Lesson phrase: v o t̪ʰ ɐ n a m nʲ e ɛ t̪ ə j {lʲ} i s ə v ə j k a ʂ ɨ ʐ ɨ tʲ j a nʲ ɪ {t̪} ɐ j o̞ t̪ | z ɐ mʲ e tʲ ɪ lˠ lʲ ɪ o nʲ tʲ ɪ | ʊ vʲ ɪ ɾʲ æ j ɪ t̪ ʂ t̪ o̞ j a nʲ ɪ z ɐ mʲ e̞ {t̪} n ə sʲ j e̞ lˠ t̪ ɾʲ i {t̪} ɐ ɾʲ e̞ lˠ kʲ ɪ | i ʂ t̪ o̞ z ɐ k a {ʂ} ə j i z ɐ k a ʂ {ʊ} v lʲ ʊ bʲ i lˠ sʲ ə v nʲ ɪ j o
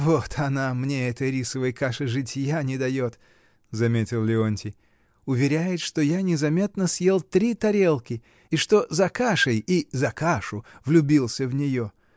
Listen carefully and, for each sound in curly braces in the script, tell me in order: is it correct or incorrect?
incorrect: ɾʲ, incorrect: d̪, correct, correct, correct, correct

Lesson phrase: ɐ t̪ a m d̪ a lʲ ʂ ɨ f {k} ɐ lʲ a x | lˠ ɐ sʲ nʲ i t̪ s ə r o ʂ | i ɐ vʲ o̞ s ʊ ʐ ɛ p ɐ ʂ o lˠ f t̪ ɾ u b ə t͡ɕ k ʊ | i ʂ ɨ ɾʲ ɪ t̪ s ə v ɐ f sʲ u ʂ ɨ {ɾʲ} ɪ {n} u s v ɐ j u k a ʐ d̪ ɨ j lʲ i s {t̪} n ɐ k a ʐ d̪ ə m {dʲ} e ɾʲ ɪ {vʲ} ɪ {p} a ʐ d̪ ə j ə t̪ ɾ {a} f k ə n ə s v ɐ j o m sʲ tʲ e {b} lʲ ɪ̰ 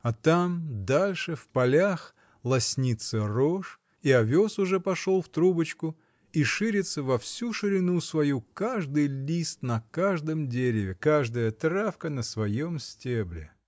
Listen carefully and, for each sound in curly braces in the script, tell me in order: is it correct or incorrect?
incorrect: p, correct, correct, correct, correct, correct, incorrect: k, correct, correct

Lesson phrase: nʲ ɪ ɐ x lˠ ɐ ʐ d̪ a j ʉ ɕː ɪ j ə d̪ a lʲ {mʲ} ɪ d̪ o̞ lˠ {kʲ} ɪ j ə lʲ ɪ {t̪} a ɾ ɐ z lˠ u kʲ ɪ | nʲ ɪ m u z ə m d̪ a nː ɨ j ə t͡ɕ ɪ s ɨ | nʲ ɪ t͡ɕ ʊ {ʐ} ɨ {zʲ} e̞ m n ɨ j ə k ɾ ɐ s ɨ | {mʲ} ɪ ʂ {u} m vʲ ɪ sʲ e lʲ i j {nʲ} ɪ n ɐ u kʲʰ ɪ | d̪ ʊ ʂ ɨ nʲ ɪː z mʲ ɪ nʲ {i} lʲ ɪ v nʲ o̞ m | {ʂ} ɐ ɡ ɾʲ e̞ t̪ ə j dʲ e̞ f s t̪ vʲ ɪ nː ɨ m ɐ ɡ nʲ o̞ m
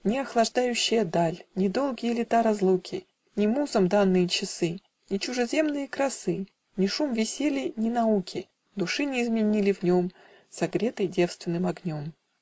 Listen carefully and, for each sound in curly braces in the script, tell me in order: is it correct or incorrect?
incorrect: nʲ, incorrect: ɡʲ, correct, correct, correct, incorrect: nʲ, correct, correct, correct, incorrect: s

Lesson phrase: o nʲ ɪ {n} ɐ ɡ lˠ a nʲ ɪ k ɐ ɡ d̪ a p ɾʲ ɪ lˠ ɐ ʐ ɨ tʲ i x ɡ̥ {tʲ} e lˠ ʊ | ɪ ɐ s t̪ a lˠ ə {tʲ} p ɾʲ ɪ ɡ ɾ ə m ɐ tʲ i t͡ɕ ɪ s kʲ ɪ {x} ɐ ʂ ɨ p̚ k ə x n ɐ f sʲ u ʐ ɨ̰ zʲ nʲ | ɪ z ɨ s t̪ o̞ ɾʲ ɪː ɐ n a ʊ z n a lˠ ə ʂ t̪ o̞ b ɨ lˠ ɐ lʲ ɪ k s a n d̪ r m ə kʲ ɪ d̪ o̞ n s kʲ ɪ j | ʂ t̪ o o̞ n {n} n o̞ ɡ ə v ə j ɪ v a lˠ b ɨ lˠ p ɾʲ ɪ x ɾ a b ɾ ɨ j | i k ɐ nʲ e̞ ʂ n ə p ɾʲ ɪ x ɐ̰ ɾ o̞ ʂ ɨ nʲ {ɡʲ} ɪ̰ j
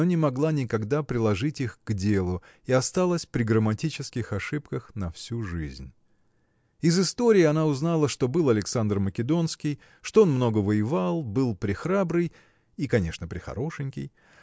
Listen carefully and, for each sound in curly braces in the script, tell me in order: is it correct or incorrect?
incorrect: m, incorrect: dʲ, incorrect: sʲ, correct, incorrect: m, incorrect: kʲ

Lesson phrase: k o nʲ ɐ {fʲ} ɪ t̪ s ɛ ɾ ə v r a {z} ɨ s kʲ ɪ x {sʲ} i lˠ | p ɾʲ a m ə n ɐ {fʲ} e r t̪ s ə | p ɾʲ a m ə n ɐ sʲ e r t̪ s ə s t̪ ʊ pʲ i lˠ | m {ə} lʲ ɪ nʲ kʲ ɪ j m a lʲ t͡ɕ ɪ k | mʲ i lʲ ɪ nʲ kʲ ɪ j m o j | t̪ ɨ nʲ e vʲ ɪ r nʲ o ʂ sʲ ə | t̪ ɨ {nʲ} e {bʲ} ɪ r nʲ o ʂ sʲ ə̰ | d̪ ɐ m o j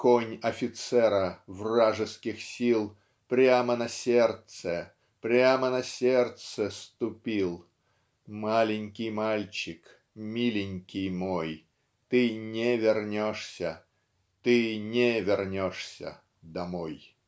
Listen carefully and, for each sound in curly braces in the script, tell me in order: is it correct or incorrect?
correct, incorrect: ʐ, correct, incorrect: sʲ, incorrect: a, correct, incorrect: vʲ

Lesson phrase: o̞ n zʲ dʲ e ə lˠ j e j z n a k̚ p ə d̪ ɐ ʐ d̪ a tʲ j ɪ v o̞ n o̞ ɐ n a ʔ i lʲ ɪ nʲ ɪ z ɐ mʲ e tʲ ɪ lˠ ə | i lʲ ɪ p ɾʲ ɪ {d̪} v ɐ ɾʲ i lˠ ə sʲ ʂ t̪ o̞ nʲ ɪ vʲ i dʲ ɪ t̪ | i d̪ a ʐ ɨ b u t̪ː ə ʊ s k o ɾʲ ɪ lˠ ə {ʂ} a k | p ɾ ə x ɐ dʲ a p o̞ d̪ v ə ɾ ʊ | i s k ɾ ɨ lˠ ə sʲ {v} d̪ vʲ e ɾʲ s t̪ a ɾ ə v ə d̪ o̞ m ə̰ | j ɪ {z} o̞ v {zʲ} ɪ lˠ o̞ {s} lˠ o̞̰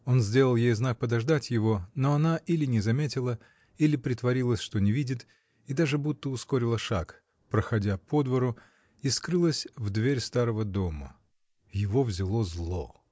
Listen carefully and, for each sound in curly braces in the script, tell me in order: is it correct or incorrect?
incorrect: t̪, correct, correct, incorrect: v, correct, incorrect: z

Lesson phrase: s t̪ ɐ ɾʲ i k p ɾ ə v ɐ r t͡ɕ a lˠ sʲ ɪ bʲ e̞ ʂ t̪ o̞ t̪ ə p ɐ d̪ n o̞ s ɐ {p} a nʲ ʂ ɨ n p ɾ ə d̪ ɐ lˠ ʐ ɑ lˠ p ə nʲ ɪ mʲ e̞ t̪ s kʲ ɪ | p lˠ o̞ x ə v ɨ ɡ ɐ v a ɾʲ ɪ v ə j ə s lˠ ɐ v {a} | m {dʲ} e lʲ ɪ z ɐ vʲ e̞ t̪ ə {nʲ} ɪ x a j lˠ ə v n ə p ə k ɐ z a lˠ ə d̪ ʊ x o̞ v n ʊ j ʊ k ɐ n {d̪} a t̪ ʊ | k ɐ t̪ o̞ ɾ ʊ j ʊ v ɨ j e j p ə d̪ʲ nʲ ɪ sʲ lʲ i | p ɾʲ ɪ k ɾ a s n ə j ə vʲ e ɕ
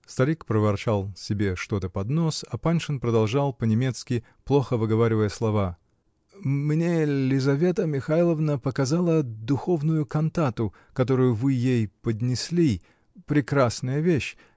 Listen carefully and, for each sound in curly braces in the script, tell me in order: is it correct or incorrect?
correct, correct, incorrect: nʲ, incorrect: mʲ, incorrect: t̪

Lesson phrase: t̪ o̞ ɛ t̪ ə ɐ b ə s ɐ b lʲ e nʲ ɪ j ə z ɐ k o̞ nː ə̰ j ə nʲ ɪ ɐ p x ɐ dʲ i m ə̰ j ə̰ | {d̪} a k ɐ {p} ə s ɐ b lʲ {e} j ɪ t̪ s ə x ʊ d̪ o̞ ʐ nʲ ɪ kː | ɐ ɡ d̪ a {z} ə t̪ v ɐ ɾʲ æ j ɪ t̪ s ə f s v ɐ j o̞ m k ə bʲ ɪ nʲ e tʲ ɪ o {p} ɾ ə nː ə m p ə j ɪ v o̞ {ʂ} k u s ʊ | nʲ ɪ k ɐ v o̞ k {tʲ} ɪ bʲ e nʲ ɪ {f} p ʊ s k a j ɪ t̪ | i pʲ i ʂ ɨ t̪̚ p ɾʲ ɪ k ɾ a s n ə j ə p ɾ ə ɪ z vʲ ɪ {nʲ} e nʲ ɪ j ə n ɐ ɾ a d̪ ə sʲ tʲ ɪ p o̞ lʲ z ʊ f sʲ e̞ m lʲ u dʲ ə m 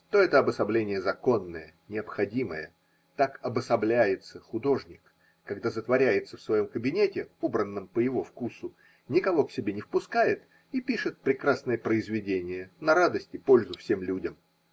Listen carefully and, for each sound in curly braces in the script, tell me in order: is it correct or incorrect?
incorrect: t̪, incorrect: b, incorrect: æ, correct, incorrect: b, incorrect: f, incorrect: sʲ, correct, incorrect: dʲ

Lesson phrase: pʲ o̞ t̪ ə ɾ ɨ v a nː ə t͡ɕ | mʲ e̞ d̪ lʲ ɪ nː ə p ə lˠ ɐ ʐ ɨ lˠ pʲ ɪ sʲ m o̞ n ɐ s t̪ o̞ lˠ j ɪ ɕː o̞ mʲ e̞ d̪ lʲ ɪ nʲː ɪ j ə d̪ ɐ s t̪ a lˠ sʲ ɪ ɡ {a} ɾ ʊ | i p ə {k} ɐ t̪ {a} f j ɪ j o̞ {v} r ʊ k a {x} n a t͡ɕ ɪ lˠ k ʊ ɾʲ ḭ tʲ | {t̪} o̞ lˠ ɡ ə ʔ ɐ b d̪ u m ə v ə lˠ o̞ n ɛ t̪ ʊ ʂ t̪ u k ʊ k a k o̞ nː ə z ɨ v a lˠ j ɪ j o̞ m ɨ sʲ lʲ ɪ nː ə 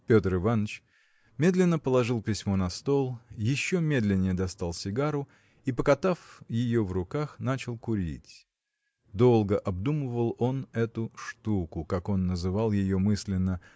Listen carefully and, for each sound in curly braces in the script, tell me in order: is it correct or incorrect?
correct, correct, correct, correct, correct, incorrect: d̪

